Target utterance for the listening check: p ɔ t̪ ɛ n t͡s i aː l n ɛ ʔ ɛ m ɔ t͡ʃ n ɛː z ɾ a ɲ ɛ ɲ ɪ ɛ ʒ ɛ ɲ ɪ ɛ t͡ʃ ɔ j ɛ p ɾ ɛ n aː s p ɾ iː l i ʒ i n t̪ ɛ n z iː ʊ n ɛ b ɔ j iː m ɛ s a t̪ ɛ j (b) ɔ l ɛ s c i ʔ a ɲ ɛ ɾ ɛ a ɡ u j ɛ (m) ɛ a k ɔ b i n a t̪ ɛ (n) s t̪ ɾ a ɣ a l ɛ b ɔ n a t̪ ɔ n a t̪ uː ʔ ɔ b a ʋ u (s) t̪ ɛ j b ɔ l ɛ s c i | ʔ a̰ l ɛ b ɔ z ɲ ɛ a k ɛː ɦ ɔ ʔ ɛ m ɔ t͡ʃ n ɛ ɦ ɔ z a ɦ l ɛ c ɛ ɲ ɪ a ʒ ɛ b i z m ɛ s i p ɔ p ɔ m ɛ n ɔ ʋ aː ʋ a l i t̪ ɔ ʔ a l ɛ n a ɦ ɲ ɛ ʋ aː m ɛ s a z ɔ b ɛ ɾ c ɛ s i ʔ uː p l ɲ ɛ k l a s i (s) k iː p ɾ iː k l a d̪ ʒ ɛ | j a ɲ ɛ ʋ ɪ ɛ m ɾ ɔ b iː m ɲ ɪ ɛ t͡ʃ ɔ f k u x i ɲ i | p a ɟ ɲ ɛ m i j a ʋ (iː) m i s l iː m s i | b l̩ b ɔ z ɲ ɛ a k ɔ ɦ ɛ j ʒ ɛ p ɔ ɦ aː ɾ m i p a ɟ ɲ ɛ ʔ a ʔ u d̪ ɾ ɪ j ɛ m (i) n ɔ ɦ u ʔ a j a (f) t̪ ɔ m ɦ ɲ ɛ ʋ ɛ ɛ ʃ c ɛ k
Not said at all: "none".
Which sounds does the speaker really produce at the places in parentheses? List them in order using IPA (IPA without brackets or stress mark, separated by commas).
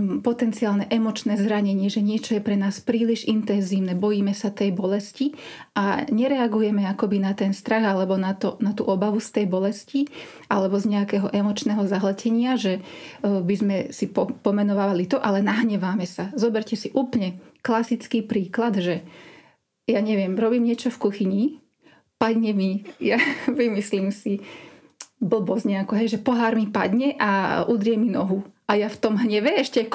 b, m, n, s, t͡s, i, i, f